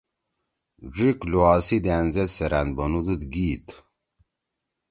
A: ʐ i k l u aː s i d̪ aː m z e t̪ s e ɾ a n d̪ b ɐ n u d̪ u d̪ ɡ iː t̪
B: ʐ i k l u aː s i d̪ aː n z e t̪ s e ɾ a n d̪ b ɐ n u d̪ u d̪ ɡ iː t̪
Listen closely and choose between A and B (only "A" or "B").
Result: B